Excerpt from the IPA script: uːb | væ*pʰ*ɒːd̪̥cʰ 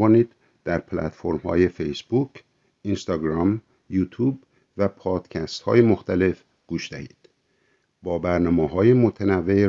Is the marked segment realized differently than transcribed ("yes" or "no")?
no